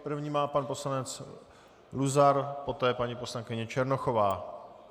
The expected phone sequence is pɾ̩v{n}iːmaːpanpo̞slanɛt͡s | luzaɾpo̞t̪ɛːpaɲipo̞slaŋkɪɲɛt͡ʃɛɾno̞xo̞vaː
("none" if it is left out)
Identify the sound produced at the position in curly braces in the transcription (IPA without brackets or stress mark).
ɲ